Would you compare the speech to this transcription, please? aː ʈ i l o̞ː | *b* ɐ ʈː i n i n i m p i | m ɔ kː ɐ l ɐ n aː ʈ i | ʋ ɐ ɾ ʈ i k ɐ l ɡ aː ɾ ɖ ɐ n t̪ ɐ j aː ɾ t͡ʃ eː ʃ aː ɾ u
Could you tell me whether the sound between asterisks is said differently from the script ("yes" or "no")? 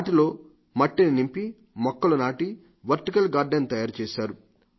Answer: yes